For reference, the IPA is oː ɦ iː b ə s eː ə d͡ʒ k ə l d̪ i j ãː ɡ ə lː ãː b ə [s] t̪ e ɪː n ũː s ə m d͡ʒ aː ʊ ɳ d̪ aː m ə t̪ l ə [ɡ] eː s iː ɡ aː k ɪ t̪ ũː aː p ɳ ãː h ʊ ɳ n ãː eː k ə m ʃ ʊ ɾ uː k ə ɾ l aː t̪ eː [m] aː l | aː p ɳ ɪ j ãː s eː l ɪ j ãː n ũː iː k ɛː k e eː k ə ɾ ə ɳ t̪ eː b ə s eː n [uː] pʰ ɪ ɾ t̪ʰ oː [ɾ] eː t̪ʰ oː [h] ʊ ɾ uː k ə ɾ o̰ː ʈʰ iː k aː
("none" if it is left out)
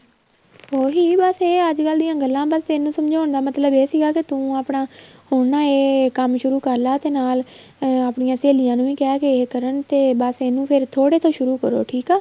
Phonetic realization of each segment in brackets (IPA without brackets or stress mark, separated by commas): s, b, n, ũː, ɽ, ʃ